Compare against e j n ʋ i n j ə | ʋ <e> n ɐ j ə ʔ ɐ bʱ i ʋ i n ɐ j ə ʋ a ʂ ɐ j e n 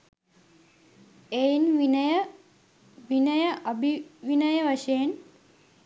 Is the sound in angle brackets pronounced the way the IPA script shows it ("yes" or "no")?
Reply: no